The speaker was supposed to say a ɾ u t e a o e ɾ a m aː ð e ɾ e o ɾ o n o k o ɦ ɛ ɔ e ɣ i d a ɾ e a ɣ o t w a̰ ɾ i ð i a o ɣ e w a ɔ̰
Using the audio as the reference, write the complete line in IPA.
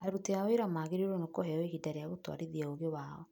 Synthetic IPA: a ɾ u t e a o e ɾ a m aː ɣ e ɾ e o ɾ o n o k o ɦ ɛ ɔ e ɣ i d a ɾ e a ɣ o t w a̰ ɾ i ð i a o ɣ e w a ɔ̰